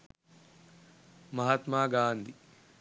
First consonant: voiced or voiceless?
voiced